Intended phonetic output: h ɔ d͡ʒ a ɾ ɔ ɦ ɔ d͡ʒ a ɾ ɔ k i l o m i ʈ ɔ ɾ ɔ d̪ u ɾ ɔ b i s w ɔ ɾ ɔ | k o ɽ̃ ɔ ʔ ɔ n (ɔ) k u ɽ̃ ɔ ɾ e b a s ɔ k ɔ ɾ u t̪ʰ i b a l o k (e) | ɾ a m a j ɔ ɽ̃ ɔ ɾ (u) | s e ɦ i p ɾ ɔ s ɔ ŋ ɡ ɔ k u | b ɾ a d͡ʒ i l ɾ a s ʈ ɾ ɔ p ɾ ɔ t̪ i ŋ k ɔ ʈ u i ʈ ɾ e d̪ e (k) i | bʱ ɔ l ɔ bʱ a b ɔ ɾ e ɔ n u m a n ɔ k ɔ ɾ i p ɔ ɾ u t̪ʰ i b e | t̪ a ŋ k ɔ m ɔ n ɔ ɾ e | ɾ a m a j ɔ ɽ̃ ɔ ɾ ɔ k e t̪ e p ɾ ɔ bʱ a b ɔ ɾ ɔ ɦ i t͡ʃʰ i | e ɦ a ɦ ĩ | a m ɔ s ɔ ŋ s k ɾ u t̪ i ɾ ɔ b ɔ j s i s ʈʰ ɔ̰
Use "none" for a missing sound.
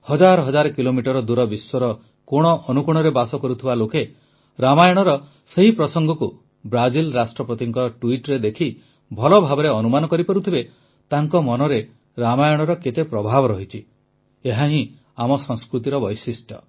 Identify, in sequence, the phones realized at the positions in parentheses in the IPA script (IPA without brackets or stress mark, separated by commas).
u, e, ɔ, kʰ